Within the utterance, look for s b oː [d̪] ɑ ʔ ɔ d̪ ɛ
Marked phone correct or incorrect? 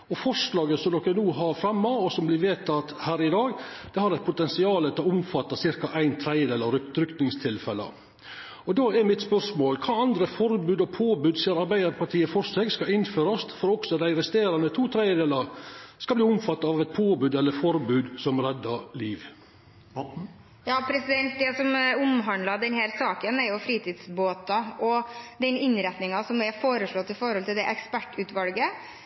incorrect